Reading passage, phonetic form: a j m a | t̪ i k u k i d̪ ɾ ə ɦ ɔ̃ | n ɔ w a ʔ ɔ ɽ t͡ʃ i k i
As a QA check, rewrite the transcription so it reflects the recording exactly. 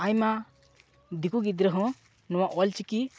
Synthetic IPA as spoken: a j m a | d̪ i k u ɡ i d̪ ɾ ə ɦ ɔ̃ | n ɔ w a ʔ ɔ l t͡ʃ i k i

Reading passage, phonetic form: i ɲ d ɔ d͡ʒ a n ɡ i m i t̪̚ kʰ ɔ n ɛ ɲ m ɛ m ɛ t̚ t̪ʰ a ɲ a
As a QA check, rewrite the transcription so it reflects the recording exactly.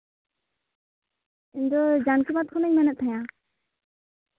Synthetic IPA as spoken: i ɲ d ɔ d͡ʒ a n k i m a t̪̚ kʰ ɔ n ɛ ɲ m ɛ n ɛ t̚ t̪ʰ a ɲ a

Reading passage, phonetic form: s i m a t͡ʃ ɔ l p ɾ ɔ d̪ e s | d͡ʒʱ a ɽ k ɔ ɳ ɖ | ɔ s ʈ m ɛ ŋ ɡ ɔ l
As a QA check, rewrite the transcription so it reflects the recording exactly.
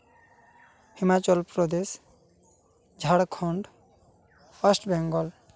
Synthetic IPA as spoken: h i m a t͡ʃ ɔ l p ɾ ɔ d̪ e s | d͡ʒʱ a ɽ kʰ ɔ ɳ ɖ | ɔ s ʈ b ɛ ŋ ɡ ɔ l

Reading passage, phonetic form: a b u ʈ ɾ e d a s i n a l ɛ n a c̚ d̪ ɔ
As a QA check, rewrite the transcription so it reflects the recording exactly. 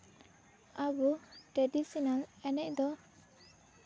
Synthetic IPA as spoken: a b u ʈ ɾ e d i s i n a l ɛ n ɛ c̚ d̪ ɔ

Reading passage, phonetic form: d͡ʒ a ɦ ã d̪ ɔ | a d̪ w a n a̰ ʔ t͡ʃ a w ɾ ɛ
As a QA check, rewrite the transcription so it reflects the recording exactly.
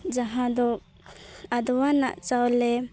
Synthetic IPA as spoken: d͡ʒ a ɦ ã d̪ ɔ | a d̪ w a n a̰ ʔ t͡ʃ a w l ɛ

